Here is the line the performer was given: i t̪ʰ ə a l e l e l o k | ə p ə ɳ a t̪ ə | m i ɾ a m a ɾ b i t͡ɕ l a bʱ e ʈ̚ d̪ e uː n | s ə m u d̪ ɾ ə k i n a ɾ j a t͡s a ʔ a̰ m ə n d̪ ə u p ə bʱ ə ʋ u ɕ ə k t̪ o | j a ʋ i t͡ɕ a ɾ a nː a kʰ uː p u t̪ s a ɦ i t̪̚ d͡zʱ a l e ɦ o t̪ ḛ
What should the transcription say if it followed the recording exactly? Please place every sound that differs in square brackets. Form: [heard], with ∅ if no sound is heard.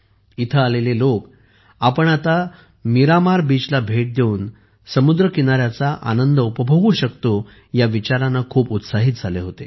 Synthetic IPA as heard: i t̪ʰ ə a l e l e l o k | [a] p ə ɳ a t̪ [a] | m i ɾ a m a ɾ b i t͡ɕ l a bʱ e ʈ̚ d̪ e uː n | s ə m u d̪ ɾ ə k i n a ɾ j a t͡s a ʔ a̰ [n] ə n d̪ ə u p ə bʱ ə ʋ u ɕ ə k t̪ o | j a ʋ i t͡ɕ a ɾ a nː a kʰ uː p u t̪ s a ɦ i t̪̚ d͡zʱ a l e ɦ o t̪ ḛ